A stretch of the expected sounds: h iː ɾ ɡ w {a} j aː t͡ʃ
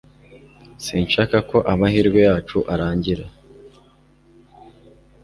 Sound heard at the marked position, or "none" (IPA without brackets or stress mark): e